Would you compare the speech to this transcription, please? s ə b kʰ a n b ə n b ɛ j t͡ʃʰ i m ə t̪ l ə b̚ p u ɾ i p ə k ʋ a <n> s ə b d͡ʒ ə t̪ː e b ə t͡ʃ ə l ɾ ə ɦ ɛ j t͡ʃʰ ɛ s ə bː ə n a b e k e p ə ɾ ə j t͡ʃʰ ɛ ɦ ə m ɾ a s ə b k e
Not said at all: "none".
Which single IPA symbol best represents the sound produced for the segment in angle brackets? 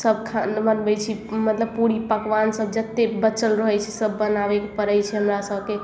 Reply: n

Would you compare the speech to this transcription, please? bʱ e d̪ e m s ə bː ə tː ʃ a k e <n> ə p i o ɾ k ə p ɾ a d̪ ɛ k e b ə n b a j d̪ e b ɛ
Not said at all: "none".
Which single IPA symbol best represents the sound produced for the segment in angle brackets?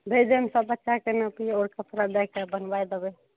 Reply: n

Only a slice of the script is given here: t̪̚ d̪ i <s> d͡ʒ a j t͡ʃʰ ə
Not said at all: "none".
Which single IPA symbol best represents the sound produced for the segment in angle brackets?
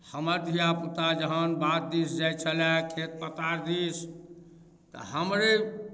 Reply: s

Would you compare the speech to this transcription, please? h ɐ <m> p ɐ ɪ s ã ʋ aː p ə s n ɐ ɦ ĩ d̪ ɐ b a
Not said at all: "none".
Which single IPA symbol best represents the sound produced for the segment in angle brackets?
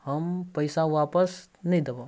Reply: m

